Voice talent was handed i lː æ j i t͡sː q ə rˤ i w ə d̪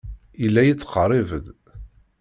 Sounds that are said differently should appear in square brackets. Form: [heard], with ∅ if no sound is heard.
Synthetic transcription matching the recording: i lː æ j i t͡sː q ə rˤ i [v] ə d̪